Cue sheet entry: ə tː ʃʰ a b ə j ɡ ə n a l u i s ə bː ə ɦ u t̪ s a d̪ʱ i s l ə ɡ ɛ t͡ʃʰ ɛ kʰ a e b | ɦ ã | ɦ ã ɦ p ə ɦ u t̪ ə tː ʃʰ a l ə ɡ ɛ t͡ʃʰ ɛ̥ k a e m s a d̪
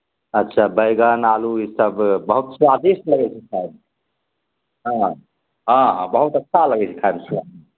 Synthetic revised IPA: ə tː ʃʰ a b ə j ɡ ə n a l u i s ə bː ə ɦ u t̪ s a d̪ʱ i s l ə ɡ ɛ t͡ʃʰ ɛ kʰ a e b | ɦ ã | ɦ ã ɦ b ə ɦ u t̪ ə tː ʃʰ a l ə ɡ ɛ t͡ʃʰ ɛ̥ kʰ a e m s a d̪